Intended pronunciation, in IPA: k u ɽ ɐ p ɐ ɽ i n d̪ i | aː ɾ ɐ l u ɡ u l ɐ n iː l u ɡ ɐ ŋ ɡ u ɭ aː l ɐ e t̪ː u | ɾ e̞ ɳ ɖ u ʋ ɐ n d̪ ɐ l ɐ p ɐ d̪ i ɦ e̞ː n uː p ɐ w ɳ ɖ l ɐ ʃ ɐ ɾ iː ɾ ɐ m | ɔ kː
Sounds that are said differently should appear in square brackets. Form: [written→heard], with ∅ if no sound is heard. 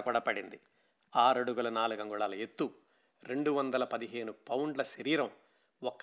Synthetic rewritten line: k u ɽ ɐ p ɐ ɽ i n d̪ i | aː ɾ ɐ [l→ɽ] u ɡ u l ɐ n [iː→aː] l u ɡ ɐ ŋ ɡ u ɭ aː l ɐ e t̪ː u | ɾ e̞ ɳ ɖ u ʋ ɐ n d̪ ɐ l ɐ p ɐ d̪ i ɦ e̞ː n [uː→u] p ɐ w ɳ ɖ l ɐ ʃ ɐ ɾ iː ɾ ɐ m | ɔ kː